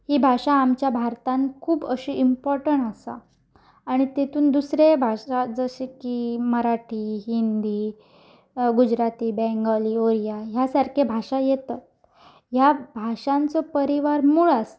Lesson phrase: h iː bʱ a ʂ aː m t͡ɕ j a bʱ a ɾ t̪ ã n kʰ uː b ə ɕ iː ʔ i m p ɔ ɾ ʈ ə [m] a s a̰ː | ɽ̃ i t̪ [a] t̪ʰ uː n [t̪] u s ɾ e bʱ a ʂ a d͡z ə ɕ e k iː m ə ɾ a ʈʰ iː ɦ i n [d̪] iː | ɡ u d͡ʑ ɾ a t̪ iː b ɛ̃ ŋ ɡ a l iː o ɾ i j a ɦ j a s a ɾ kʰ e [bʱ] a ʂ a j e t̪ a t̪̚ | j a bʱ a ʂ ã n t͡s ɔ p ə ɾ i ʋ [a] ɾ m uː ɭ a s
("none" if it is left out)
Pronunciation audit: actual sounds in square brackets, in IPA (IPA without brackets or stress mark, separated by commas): ɳ, e, d̪, d̪, bʱ, a